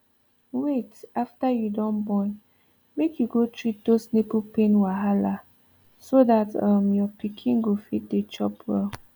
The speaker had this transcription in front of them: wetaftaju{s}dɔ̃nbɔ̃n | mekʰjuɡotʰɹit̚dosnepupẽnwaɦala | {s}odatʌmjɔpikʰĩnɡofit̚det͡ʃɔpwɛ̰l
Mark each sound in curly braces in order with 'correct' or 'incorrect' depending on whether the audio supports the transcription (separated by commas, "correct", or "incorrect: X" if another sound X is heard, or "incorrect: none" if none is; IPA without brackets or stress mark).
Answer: incorrect: none, correct